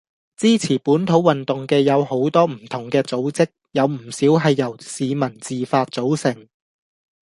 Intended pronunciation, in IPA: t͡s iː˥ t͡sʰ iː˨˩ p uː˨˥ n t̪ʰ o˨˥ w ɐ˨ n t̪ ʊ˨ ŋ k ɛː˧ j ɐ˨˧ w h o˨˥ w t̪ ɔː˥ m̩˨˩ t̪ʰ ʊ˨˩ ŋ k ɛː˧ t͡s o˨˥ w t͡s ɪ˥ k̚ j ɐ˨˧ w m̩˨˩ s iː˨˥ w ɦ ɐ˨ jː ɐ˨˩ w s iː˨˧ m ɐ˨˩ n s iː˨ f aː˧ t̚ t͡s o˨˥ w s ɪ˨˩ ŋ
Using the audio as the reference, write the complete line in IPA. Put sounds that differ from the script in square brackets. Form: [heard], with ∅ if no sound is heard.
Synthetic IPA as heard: t͡s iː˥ t͡sʰ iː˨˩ p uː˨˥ n t̪ʰ o˨˥ w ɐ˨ n t̪ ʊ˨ ŋ k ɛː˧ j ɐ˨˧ w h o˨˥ w t̪ ɔː˥ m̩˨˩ t̪ʰ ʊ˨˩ ŋ k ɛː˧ t͡s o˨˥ w t͡s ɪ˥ k̚ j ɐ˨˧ w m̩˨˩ s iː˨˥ w ɦ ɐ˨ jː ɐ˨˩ w s iː˨˧ m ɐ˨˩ n [t͡s] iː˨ f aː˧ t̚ t͡s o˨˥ w s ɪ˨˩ ŋ